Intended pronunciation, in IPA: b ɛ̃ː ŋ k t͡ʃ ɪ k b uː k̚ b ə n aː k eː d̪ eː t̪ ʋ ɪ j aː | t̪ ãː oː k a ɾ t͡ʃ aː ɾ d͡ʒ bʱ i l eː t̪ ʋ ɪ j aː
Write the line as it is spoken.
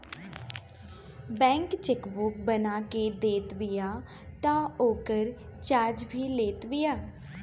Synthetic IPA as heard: b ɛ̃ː ŋ k t͡ʃ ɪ k b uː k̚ b ə n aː k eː d̪ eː t̪ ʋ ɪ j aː | t̪ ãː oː k ə ɾ t͡ʃ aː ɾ d͡ʒ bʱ iː l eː t̪ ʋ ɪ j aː